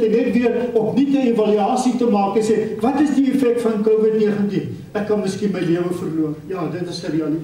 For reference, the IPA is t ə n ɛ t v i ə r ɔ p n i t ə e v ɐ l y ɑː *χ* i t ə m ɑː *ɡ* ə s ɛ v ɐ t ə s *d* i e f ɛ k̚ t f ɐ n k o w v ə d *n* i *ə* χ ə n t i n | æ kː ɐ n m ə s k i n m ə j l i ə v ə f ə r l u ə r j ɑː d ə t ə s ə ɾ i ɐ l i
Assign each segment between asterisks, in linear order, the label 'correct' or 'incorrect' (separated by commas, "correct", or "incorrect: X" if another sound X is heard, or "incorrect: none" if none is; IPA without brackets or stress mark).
incorrect: s, incorrect: k, correct, correct, correct